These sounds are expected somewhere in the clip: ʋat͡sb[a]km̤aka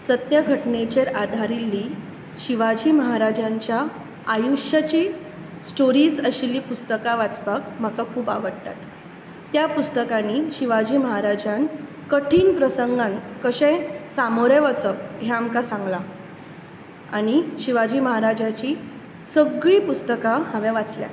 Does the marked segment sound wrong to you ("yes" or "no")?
no